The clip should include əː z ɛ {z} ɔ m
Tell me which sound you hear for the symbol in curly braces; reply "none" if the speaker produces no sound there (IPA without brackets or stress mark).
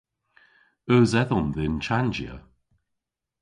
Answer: ð